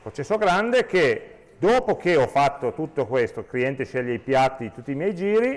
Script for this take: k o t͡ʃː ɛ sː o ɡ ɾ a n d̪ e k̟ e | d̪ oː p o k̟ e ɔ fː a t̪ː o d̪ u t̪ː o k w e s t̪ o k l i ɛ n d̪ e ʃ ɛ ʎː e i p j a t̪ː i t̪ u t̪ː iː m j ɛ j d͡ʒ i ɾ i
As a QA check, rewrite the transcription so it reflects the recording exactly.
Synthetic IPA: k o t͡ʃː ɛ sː o ɡ ɾ a n d̪ e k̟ e | d̪ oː p o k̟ e ɔ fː a t̪ː o t̪ u t̪ː o k w e s t̪ o k l i ɛ n t̪ e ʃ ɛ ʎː e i p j a t̪ː i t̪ u t̪ː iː m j ɛ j d͡ʒ iː ɾ i